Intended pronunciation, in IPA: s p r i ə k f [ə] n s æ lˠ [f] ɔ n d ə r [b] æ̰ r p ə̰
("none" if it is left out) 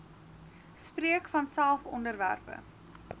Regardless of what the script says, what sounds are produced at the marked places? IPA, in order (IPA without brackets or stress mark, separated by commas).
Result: ɐ, f, v